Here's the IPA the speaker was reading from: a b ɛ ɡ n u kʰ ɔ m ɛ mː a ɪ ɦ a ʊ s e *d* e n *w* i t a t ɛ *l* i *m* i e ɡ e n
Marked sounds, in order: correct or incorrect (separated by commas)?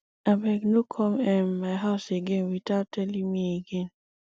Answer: incorrect, correct, correct, correct